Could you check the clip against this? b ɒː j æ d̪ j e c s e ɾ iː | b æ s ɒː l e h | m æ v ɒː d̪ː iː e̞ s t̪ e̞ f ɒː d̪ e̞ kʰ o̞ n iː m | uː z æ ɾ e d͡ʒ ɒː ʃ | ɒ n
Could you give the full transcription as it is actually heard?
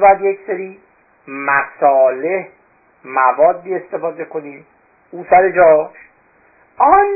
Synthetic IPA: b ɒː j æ d̪ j e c s e ɾ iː | m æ s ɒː l e h | m æ v ɒː d̪ː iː e̞ s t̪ e̞ f ɒː d̪ e̞ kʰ o̞ n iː m | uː s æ ɾ e d͡ʒ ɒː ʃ | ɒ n